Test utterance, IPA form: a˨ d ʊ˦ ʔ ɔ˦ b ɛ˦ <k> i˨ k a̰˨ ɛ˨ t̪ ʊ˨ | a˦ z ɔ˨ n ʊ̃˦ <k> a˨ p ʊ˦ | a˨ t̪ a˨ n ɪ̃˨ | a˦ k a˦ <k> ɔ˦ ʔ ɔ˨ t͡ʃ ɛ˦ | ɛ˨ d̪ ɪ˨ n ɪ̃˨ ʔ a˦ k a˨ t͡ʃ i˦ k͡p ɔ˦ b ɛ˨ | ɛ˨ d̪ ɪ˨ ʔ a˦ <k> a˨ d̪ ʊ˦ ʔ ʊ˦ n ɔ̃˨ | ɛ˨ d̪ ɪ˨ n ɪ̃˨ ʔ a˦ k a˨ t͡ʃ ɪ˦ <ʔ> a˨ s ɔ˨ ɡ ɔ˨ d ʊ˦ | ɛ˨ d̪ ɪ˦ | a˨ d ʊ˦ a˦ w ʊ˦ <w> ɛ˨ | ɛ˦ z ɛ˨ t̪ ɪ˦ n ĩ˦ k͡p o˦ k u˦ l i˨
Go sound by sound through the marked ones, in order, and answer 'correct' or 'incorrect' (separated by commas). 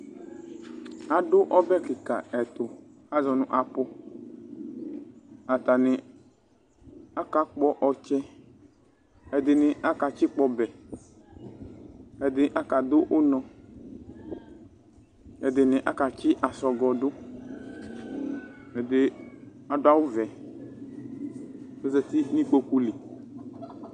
correct, incorrect, incorrect, correct, correct, incorrect